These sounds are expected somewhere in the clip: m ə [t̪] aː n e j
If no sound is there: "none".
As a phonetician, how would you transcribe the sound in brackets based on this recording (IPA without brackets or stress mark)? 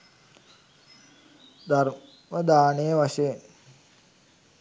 d̪